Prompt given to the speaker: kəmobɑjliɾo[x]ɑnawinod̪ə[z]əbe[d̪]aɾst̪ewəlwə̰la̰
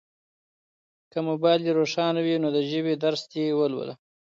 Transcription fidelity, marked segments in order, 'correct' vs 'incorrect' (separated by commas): incorrect, incorrect, correct